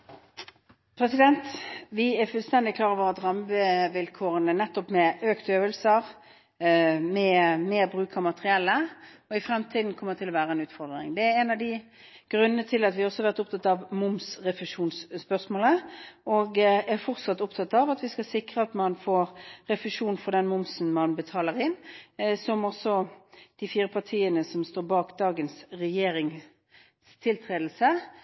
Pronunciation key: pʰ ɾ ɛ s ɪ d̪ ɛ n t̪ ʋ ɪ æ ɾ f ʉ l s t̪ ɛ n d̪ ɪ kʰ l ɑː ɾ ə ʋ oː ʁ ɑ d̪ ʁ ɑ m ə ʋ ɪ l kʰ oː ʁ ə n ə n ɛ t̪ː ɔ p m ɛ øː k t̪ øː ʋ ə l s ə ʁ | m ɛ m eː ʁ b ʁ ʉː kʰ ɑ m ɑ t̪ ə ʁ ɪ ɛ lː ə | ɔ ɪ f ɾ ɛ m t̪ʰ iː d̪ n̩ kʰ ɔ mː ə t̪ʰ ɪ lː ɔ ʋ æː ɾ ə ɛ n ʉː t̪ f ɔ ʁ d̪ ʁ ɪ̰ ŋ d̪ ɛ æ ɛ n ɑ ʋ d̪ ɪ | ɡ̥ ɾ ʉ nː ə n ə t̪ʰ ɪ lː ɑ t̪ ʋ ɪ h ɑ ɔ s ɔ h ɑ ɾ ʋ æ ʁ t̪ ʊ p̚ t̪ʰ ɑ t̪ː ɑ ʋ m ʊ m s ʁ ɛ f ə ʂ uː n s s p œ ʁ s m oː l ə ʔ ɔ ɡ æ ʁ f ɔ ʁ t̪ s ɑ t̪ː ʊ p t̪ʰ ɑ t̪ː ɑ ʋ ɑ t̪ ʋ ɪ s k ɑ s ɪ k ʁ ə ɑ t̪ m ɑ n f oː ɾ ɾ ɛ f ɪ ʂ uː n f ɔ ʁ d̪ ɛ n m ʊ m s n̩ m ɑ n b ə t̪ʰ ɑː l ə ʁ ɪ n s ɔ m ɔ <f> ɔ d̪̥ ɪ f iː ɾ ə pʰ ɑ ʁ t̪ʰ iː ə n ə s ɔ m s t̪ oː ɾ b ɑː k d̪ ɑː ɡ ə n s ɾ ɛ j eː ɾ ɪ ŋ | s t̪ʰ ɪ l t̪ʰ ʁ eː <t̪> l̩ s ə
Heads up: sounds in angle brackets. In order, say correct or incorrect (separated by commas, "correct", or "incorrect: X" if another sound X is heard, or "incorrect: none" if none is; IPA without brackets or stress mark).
incorrect: s, incorrect: d̪